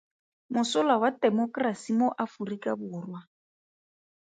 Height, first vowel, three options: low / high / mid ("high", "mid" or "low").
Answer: high